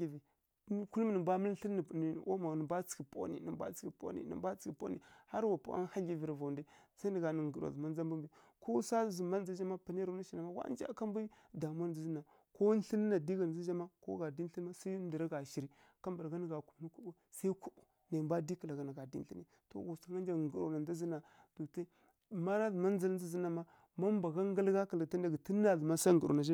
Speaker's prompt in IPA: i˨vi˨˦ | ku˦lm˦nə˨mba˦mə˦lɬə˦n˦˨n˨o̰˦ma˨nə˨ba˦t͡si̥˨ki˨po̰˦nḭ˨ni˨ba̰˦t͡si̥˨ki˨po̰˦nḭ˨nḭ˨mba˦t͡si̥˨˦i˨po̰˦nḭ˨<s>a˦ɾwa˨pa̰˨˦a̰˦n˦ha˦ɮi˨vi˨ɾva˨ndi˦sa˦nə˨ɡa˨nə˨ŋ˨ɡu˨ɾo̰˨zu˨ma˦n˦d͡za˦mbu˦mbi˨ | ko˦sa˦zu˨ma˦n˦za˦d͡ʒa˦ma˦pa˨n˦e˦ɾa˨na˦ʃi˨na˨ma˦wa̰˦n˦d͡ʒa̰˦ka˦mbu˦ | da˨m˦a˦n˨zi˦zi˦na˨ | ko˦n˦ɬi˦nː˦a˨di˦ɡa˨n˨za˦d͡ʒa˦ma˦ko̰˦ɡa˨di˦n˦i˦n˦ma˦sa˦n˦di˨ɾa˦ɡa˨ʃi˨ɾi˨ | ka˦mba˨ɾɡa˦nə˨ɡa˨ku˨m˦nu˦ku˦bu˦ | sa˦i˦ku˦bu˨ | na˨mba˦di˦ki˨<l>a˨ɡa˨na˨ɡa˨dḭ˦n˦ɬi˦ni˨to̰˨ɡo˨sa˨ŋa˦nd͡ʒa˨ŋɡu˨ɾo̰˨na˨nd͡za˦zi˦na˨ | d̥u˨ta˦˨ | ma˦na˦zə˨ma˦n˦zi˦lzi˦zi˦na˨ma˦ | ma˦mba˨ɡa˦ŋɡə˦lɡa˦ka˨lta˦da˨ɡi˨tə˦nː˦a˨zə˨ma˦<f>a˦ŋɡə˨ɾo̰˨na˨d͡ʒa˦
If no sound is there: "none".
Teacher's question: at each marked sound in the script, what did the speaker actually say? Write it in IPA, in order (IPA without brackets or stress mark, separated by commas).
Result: h, l, s